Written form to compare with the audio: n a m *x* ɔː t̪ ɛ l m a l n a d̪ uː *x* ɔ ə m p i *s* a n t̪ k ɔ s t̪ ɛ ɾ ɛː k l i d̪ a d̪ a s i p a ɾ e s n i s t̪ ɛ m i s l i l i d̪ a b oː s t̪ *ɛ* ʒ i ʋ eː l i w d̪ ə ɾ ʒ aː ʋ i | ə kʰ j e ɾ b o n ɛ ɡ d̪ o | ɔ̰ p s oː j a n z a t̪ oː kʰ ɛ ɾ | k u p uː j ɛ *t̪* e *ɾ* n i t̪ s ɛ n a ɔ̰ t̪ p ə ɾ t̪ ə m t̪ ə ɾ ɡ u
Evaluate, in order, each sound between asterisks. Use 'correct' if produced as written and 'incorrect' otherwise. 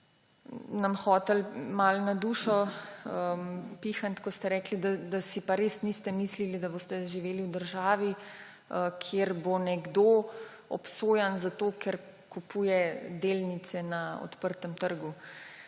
correct, incorrect, incorrect, correct, incorrect, incorrect

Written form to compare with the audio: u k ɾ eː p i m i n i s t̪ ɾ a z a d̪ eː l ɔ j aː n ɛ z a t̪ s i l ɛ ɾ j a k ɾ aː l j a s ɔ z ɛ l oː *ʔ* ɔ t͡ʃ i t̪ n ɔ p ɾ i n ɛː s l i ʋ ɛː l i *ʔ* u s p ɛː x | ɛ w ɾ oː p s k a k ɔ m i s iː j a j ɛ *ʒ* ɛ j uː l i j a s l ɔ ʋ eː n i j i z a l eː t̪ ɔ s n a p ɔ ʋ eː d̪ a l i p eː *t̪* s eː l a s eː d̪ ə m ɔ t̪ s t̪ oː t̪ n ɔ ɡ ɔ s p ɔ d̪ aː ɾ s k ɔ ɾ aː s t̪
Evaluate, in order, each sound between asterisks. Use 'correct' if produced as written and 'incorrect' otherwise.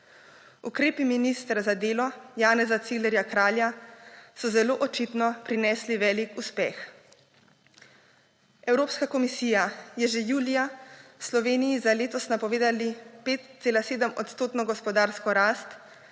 correct, incorrect, correct, correct

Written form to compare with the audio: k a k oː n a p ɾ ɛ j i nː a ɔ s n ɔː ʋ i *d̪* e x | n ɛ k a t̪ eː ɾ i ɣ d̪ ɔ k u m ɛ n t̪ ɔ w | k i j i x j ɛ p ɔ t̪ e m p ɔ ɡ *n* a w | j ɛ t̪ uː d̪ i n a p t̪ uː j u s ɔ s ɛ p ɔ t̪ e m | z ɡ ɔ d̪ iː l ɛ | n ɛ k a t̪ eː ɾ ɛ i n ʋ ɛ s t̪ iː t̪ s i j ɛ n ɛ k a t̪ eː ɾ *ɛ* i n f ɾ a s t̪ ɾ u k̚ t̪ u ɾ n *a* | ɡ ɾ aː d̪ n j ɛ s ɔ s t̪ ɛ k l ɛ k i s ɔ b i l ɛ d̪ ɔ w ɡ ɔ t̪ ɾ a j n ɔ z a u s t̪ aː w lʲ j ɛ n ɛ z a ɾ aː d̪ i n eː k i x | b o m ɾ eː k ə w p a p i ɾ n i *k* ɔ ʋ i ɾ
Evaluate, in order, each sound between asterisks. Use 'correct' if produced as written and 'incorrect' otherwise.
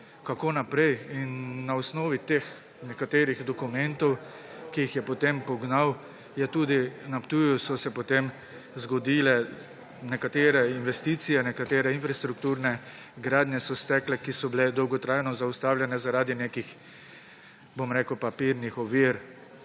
incorrect, correct, correct, incorrect, incorrect

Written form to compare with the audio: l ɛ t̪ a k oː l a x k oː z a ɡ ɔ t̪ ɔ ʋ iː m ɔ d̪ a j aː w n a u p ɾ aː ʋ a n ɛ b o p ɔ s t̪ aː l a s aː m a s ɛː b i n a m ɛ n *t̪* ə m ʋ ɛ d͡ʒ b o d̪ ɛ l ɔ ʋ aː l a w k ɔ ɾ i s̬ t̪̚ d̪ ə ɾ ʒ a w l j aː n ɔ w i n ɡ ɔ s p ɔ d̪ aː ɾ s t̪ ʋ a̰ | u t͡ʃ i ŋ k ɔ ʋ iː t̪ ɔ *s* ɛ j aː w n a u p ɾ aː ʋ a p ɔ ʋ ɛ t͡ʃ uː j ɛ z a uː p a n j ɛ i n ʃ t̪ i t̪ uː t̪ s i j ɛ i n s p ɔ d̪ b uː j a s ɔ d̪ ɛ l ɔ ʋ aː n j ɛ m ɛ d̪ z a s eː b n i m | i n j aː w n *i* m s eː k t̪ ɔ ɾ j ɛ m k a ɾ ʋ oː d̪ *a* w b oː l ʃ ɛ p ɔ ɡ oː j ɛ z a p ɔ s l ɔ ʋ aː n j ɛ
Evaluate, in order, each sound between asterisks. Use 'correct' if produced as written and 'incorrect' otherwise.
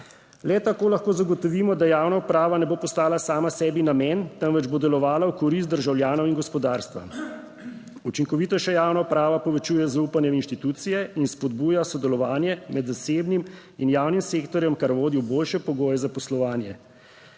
correct, incorrect, correct, incorrect

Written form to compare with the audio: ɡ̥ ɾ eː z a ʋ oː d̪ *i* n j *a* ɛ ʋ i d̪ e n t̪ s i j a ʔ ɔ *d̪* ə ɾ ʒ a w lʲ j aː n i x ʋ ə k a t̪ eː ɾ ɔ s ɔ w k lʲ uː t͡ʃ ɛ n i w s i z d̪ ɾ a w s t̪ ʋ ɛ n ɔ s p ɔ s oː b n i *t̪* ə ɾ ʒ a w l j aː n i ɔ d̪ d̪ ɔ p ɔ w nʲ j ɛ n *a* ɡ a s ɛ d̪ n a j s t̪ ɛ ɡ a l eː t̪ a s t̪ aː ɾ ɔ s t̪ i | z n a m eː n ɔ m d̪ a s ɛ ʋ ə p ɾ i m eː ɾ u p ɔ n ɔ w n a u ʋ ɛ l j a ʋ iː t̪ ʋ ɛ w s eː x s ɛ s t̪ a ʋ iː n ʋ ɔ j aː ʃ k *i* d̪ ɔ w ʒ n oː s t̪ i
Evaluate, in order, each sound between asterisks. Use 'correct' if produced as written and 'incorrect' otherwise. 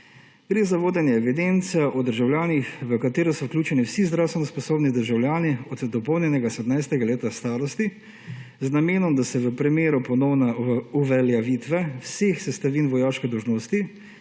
incorrect, incorrect, correct, incorrect, incorrect, incorrect

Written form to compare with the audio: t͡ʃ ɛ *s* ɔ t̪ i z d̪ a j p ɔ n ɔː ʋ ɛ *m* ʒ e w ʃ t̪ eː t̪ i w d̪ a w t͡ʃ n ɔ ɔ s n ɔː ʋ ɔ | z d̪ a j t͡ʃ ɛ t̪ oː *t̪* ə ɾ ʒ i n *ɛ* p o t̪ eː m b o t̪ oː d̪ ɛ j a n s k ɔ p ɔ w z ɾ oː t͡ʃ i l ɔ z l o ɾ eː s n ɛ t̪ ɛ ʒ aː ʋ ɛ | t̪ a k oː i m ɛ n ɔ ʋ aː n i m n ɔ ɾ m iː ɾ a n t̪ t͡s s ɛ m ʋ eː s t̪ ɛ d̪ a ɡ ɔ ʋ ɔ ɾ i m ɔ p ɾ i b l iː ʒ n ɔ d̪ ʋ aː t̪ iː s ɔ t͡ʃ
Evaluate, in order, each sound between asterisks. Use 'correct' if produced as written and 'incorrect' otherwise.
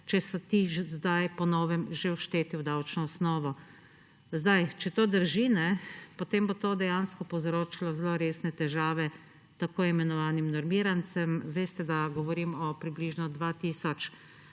correct, correct, incorrect, correct

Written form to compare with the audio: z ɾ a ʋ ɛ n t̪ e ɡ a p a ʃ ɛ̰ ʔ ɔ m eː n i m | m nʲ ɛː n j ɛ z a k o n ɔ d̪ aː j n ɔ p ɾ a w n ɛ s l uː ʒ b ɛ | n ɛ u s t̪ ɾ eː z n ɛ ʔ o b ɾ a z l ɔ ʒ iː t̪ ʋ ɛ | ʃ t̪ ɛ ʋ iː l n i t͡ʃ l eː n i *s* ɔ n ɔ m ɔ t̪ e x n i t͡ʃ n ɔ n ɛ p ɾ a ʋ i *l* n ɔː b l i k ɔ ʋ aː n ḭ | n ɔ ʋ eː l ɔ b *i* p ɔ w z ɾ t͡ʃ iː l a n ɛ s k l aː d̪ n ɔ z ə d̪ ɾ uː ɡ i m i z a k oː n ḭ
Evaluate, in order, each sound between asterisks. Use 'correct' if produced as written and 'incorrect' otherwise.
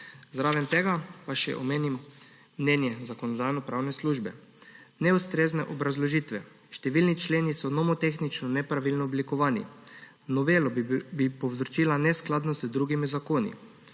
correct, correct, correct

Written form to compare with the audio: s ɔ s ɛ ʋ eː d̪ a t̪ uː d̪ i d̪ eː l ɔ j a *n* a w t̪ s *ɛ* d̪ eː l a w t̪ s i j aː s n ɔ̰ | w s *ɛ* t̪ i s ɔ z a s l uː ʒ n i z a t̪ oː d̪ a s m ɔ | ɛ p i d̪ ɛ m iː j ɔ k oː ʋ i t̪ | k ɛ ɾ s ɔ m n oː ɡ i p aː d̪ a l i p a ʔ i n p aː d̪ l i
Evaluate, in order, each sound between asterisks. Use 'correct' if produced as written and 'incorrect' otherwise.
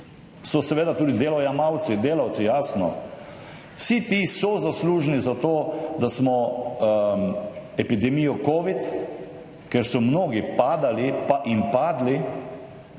incorrect, incorrect, incorrect

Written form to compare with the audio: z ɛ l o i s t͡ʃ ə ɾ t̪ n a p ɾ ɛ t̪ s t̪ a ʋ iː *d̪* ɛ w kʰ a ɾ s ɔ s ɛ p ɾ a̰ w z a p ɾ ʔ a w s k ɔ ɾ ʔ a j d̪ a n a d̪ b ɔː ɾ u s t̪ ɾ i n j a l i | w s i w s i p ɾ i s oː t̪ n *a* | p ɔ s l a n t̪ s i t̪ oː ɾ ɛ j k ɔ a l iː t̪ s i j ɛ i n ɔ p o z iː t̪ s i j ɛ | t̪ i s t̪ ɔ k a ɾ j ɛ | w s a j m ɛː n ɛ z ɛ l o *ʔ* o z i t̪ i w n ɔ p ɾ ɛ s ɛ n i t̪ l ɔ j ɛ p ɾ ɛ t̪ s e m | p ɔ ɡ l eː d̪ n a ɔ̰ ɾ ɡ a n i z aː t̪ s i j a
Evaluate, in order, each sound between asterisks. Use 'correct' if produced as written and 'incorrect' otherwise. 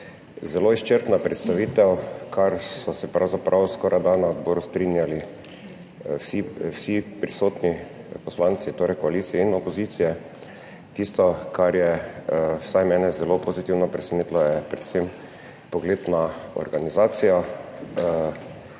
incorrect, incorrect, incorrect

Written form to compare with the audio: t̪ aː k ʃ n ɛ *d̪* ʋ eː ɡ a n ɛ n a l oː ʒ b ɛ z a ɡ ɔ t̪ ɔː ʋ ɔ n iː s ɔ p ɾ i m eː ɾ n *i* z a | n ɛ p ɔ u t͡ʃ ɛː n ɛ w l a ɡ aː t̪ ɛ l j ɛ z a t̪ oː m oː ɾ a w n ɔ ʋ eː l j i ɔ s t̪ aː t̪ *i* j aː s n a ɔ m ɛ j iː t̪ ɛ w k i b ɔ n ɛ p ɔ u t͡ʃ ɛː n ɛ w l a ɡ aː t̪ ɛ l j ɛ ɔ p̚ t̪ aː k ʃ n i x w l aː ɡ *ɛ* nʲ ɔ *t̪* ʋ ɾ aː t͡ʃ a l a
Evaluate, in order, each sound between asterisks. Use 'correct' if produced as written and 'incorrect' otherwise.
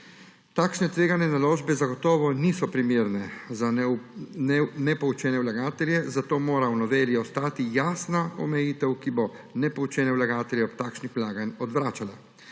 incorrect, incorrect, correct, incorrect, incorrect

